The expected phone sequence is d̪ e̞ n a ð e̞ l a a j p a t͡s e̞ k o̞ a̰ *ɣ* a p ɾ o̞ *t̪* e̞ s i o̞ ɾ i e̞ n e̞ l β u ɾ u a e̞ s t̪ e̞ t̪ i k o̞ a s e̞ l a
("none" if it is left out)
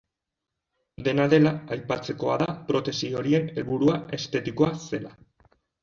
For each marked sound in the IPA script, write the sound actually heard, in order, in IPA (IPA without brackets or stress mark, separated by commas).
ð, t̪